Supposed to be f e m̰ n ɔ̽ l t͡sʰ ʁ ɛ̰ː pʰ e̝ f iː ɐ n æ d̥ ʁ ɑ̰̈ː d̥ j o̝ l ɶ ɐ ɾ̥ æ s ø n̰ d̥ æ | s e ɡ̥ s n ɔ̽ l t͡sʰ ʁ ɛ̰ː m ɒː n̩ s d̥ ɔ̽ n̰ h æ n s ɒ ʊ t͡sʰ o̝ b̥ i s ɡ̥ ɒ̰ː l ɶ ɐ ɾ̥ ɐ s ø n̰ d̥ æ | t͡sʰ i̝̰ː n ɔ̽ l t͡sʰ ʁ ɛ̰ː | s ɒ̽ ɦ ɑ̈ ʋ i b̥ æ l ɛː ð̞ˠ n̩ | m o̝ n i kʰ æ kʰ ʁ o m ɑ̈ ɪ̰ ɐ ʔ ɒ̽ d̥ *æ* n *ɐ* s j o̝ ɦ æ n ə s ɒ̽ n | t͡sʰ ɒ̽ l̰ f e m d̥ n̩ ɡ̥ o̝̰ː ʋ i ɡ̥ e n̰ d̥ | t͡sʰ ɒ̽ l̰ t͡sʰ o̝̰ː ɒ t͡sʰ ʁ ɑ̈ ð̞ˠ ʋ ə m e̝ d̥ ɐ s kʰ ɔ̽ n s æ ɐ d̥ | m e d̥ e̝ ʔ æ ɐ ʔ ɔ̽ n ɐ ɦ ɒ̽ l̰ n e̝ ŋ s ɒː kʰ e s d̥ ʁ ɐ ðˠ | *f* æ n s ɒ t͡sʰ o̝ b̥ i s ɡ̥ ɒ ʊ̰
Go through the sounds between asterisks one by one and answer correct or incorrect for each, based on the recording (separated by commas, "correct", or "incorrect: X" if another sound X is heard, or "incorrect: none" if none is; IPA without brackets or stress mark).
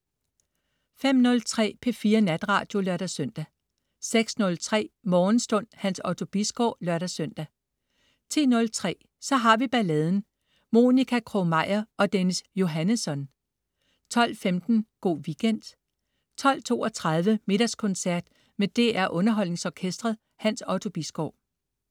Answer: incorrect: e, incorrect: ə, incorrect: h